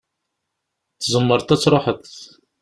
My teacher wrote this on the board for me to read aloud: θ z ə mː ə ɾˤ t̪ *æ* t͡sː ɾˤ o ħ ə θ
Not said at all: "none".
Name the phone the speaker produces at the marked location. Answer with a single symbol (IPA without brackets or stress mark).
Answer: æ